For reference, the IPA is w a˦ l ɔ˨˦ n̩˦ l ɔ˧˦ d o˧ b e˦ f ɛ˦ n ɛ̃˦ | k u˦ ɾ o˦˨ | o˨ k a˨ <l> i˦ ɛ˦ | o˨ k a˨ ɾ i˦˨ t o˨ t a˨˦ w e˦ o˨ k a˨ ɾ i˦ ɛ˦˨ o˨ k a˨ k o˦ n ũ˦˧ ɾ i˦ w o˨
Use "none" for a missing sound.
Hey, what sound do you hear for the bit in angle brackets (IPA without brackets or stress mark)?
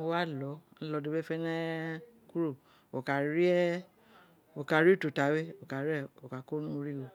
ɾ